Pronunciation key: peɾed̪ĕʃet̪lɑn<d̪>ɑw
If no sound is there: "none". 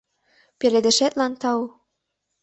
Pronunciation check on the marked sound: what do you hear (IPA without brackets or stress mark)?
t̪